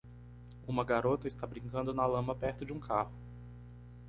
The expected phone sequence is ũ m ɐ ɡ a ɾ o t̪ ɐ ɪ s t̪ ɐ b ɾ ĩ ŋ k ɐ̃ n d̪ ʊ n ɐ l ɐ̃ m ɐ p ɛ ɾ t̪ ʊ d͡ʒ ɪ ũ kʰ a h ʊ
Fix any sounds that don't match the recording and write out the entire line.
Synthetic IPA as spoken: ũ m ɐ ɡ a ɾ o t̪ ɐ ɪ s t̪ a b ɾ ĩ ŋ k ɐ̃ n d̪ ʊ n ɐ l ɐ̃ m ɐ p ɛ ɾ t̪ ʊ d͡ʒ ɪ ũ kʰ a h ʊ